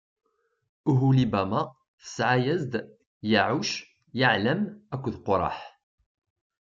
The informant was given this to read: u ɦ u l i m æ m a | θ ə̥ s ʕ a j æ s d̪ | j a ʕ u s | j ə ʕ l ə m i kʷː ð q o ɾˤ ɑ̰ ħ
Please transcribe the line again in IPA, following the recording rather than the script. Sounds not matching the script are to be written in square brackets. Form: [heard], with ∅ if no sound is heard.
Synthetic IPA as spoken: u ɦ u l i [b] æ m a | θ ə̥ s ʕ a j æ [z] d̪ | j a ʕ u [ʃ] | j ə ʕ l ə m [æ] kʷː ð q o ɾˤ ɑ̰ ħ